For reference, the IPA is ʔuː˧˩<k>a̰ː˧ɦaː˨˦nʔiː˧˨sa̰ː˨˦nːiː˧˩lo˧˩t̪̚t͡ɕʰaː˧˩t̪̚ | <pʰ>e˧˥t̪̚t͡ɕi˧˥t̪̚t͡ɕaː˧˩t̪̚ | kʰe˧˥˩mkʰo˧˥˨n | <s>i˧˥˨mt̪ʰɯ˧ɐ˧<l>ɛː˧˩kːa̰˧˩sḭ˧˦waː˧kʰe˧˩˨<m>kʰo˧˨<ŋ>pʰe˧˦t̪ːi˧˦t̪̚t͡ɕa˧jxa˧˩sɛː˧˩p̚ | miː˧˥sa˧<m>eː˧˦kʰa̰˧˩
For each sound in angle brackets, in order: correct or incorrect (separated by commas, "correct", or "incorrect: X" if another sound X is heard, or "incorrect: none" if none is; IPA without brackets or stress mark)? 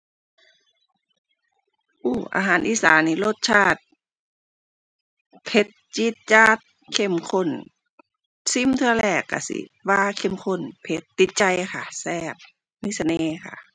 incorrect: ʔ, correct, correct, correct, correct, incorrect: n, incorrect: n